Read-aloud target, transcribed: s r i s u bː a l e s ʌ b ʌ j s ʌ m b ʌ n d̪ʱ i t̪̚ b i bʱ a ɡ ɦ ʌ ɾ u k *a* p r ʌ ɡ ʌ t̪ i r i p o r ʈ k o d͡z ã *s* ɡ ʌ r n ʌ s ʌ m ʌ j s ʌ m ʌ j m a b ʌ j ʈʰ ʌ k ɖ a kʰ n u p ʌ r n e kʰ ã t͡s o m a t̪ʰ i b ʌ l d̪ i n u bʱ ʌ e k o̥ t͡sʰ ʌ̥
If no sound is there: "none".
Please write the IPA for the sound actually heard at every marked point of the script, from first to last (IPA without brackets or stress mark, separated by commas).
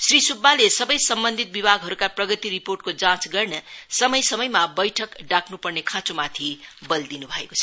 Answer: a, t͡s